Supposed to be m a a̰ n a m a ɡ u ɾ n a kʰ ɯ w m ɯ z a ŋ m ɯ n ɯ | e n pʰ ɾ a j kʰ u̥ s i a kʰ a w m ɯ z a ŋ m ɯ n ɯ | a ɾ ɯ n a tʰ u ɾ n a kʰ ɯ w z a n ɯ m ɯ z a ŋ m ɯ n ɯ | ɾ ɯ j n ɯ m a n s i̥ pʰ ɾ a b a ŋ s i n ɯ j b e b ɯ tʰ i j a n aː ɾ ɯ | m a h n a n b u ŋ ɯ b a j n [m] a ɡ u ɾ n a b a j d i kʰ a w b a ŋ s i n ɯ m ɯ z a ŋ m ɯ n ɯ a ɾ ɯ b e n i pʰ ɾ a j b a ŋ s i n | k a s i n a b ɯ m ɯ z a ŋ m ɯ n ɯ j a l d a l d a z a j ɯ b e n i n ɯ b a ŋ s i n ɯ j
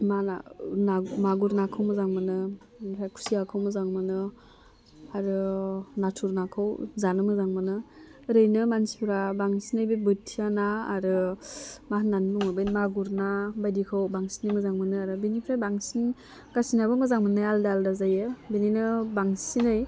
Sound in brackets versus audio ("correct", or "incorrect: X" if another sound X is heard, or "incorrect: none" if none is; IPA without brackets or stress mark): correct